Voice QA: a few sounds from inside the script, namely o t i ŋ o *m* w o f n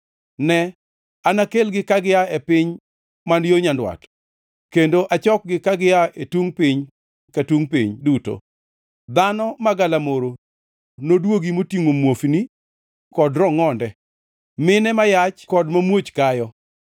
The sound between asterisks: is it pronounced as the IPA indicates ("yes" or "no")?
yes